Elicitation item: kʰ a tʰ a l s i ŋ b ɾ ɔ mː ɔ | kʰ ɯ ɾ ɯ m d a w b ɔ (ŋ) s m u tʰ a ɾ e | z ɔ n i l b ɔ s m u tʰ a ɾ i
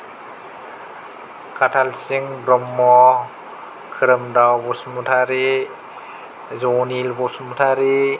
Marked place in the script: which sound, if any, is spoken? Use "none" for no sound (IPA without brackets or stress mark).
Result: none